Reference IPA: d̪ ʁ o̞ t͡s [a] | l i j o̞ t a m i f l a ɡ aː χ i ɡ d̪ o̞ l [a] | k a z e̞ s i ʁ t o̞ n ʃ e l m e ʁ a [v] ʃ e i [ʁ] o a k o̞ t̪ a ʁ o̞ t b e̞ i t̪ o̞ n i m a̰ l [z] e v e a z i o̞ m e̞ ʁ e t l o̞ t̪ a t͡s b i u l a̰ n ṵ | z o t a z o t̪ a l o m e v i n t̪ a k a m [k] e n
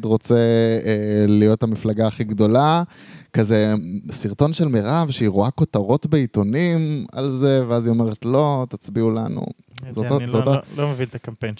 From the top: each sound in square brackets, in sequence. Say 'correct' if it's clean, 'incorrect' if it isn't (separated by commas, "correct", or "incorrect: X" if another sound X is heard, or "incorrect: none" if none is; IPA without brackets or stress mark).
incorrect: e, correct, correct, correct, correct, incorrect: p